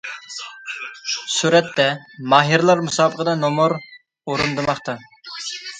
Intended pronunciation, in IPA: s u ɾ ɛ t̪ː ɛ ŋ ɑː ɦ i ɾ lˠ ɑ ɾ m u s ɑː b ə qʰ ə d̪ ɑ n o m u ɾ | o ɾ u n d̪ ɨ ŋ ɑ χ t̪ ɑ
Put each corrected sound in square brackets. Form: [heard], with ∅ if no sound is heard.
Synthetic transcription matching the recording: s u ɾ ɛ t̪ː ɛ [m] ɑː ɦ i ɾ lˠ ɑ ɾ m u s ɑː b ə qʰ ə d̪ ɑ n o m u ɾ | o ɾ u n d̪ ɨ [m] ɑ χ t̪ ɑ